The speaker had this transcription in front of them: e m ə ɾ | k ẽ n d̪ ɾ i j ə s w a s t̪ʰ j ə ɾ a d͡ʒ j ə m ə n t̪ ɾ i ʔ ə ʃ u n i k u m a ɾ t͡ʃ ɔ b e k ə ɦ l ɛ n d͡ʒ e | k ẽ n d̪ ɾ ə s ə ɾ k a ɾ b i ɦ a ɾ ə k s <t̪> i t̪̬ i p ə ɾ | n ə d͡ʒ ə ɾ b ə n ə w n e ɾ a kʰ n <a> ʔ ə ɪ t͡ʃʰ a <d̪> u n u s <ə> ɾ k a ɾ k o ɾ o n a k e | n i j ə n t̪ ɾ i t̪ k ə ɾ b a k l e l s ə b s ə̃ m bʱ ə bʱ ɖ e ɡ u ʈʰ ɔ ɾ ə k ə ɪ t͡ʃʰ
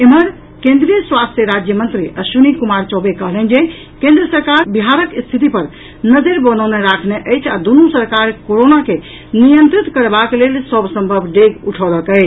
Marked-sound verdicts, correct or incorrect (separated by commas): incorrect, incorrect, correct, correct